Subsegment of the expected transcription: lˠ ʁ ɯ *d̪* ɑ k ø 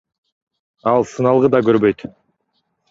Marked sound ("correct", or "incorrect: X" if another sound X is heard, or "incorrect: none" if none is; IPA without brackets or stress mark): correct